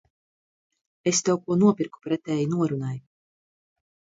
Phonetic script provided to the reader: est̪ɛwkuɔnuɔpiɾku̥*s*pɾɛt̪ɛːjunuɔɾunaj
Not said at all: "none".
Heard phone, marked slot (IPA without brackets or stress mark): none